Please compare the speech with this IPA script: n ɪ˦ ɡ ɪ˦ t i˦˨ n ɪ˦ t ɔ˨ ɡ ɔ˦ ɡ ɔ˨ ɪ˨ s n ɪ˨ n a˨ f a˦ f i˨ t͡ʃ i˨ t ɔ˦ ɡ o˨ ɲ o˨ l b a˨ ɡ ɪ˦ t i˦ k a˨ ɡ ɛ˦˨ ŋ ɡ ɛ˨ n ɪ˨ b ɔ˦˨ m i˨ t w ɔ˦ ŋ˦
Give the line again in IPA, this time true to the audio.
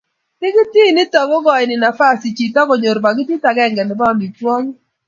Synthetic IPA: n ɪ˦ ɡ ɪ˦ t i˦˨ n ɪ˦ t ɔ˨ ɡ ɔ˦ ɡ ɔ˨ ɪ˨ n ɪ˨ n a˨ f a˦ s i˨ t͡ʃ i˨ t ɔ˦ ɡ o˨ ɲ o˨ ɾ b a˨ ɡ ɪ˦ t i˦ t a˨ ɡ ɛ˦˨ ŋ ɡ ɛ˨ n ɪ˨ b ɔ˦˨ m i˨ t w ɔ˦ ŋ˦